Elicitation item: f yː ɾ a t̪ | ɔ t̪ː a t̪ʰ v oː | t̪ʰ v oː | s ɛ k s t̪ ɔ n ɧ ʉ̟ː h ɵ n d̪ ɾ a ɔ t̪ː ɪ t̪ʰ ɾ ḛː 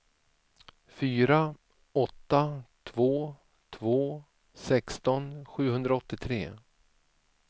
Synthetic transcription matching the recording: f yː ɾ a | ɔ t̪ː a t̪ʰ v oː | t̪ʰ v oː | s ɛ k s t̪ ɔ n ɧ ʉ̟ː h ɵ n d̪ ɾ a ɔ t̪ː ɪ t̪ʰ ɾ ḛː